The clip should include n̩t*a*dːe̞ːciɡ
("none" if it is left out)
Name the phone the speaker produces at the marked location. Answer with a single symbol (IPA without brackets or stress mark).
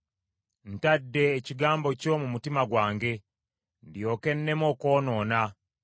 a